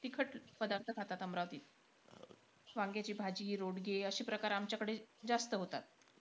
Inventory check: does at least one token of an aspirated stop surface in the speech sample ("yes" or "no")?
yes